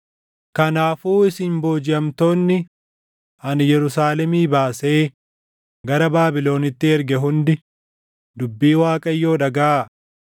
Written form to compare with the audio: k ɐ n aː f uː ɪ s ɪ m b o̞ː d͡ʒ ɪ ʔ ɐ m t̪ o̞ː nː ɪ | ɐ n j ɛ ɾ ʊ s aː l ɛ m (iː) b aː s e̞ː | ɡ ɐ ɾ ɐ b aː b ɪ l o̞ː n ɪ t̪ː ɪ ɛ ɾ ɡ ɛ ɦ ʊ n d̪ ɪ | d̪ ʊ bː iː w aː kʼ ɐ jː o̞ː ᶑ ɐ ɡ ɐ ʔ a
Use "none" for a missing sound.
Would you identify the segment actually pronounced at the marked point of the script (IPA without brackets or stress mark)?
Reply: iː